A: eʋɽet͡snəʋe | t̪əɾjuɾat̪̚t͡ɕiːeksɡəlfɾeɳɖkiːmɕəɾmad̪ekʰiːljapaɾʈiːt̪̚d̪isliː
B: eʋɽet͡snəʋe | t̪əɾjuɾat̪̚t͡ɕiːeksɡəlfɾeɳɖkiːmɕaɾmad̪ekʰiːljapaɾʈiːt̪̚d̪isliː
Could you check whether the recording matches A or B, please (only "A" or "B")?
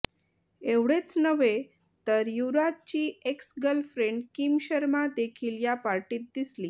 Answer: A